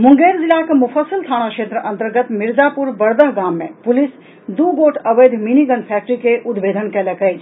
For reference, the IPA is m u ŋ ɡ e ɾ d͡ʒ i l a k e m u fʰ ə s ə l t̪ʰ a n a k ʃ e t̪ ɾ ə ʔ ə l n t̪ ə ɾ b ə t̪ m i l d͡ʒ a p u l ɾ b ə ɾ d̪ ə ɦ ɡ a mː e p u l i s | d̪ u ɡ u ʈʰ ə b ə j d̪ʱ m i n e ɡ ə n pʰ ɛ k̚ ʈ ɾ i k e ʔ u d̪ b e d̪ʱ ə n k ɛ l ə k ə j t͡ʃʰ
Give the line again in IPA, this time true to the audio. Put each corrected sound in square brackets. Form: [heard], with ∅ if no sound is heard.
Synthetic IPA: m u ŋ ɡ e ɾ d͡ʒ i l a k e m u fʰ ə s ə l t̪ʰ a n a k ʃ e t̪ ɾ ə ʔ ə [∅] n t̪ ə ɾ [ɡ] ə t̪ m i [ɾ] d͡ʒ a p u [∅] ɾ b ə ɾ d̪ ə ɦ ɡ a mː e p u l i s | d̪ u ɡ [o] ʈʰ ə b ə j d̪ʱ m i n [i] ɡ ə n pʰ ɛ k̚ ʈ ɾ i k e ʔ u d̪ b e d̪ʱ ə n k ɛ l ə k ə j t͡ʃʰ